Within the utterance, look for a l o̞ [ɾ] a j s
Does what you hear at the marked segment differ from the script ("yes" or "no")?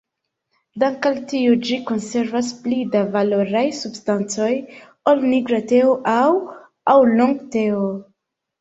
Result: no